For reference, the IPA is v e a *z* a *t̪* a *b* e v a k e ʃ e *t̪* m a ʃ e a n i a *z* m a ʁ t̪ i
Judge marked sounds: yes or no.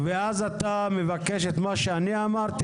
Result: yes, yes, no, yes, no

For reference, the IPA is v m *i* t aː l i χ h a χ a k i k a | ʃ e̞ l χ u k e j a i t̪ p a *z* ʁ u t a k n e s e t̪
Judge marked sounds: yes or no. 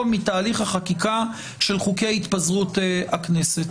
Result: yes, yes

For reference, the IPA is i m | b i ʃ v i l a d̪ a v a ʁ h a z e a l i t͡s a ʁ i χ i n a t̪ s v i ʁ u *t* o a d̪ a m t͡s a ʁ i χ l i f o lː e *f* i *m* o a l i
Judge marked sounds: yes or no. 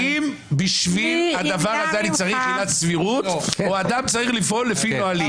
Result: yes, yes, no

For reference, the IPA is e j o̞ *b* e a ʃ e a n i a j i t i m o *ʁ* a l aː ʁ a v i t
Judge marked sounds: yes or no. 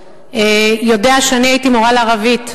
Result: no, yes

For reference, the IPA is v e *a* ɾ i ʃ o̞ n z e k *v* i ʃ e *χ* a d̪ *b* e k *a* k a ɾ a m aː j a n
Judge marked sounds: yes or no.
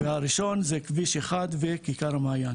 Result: yes, yes, yes, no, no

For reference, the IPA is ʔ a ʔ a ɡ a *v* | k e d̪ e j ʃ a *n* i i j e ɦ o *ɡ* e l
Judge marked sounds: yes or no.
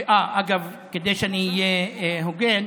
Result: yes, yes, yes

